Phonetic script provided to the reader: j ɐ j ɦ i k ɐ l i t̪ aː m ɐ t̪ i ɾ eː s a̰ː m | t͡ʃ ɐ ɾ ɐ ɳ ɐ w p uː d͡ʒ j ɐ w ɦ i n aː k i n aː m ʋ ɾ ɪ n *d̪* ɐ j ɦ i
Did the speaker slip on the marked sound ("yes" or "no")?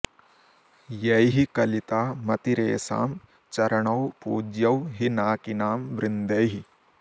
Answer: no